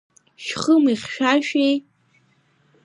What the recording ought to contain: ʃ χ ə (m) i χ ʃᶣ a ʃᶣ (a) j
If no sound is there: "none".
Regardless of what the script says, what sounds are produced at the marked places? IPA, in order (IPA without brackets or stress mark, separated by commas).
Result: m, e